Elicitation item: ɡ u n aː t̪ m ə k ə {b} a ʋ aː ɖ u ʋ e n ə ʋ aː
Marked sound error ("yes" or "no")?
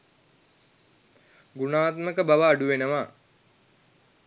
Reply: no